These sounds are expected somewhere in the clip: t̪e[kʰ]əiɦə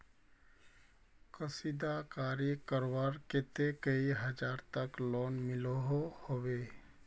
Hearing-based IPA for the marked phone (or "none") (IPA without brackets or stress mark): k